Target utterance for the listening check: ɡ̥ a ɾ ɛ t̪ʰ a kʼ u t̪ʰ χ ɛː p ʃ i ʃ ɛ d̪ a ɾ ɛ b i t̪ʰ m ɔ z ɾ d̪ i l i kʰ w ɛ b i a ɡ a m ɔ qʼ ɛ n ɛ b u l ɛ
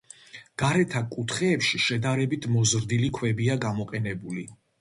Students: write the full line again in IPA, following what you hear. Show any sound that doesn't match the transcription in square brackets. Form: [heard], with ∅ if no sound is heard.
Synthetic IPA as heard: ɡ̥ a ɾ ɛ t̪ʰ a kʼ u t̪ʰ χ ɛː p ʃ i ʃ ɛ d̪ a ɾ ɛ b i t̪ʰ m ɔ z ɾ d̪ i l i kʰ w ɛ b i a ɡ a m ɔ qʼ ɛ n ɛ b u l [i]